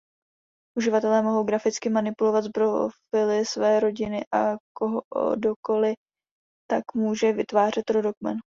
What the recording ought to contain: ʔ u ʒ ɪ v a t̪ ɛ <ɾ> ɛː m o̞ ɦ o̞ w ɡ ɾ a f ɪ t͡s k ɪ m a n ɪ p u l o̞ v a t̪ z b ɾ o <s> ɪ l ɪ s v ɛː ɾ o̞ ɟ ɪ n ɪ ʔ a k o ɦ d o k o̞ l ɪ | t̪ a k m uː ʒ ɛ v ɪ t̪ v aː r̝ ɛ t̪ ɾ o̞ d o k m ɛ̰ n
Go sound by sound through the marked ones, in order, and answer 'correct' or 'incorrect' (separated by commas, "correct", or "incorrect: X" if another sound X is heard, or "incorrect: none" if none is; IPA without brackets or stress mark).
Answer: incorrect: l, incorrect: f